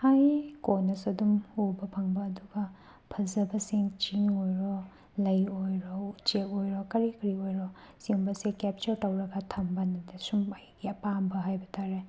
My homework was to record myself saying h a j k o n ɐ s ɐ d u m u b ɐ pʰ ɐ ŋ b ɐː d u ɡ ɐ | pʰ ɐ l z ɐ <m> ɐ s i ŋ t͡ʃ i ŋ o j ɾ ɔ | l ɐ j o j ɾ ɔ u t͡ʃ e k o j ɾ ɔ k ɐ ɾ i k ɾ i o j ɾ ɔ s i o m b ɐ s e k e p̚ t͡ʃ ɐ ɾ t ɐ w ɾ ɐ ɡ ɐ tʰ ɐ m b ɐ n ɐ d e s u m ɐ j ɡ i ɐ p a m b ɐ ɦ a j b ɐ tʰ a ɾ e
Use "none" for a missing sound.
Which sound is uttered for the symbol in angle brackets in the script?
b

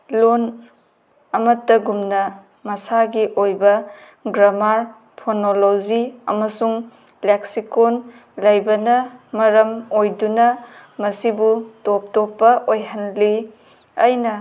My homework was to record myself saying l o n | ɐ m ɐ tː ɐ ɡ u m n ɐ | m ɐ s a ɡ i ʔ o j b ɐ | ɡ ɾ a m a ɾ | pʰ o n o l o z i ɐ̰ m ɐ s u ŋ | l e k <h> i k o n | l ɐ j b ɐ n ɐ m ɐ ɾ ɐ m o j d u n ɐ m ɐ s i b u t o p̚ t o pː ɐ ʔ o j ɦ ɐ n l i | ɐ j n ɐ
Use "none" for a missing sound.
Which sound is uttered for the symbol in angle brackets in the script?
s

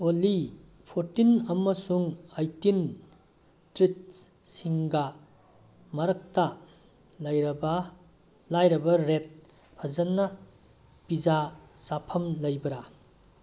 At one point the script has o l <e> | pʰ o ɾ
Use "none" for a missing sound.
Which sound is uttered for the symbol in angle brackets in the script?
i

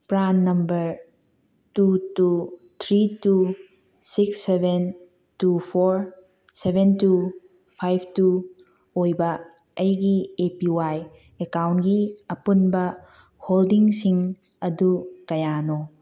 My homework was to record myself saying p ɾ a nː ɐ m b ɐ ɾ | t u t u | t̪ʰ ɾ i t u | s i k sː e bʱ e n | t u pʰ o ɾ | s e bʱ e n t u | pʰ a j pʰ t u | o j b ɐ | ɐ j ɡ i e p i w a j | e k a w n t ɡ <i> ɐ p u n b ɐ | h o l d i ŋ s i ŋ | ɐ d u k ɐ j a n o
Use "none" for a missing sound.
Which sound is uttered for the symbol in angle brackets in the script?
i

